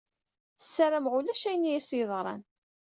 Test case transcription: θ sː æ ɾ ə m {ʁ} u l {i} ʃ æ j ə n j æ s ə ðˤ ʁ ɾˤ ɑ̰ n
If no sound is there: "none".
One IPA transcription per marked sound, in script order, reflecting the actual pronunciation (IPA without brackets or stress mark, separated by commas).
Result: ʁ, æ